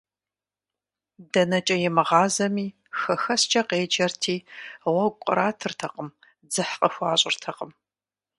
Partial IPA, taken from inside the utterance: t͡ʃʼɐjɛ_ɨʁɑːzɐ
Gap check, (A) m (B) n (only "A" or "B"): A